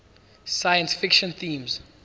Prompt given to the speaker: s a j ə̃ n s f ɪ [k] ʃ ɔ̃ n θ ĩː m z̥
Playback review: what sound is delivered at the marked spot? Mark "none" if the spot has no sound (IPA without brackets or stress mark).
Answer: k